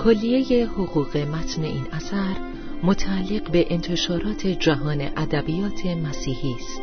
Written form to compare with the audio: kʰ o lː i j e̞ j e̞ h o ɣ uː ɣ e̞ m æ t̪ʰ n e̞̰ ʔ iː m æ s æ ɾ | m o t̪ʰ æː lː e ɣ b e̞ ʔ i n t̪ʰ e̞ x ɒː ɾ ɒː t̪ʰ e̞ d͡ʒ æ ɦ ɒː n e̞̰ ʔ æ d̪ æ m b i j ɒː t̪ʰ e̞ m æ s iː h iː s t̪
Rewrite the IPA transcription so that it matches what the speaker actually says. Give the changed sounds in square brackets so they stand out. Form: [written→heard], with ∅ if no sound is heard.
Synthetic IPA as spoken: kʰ o lː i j e̞ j e̞ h o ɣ uː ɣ e̞ m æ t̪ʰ n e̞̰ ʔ iː [m→n] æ s æ ɾ | m o t̪ʰ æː lː e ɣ b e̞ ʔ [i→e] n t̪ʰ e̞ [x→ʃ] ɒː ɾ ɒː t̪ʰ e̞ d͡ʒ æ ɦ ɒː n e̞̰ ʔ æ d̪ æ [m→∅] b i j ɒː t̪ʰ e̞ m æ s iː h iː s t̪